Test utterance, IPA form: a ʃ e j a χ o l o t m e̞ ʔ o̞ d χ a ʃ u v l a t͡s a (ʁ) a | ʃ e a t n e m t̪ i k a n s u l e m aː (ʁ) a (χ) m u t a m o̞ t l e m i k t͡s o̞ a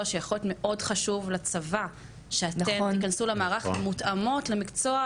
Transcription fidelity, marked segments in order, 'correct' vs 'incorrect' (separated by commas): incorrect, correct, correct